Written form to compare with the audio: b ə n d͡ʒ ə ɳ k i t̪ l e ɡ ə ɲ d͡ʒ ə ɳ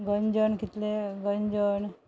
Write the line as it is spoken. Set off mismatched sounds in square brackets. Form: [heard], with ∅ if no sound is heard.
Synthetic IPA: [ɡ] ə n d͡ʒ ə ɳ k i t̪ l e ɡ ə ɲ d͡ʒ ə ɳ